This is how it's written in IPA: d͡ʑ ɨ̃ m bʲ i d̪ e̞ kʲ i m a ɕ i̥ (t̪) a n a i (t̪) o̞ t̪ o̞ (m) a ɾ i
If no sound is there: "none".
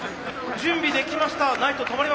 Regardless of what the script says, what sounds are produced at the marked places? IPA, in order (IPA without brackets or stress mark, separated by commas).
t̪, t̪, m